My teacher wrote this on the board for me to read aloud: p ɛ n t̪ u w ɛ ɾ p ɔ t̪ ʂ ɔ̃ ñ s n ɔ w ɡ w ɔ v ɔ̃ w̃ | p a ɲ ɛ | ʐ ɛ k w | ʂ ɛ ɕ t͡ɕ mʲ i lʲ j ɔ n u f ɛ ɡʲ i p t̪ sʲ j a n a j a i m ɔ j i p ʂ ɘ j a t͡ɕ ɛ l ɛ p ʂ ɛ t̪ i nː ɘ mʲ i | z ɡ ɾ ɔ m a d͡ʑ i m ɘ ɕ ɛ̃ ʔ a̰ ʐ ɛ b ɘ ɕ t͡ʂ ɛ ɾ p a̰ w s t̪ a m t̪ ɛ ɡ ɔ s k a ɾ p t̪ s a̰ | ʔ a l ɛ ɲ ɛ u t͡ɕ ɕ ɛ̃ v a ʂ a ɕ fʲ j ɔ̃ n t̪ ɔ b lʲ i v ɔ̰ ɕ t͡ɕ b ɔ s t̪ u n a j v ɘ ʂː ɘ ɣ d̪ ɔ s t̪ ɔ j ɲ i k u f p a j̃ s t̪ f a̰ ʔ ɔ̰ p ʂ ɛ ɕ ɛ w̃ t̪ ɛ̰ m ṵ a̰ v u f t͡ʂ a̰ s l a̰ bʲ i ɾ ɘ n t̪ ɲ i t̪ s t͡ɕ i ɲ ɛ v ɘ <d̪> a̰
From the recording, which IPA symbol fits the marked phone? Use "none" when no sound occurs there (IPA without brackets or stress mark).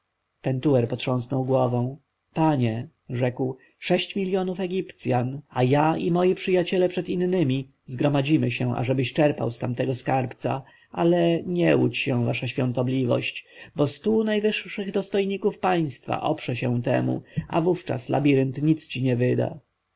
d̪